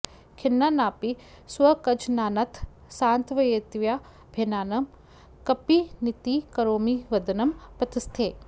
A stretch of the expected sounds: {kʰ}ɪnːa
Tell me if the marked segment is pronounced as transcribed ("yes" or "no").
yes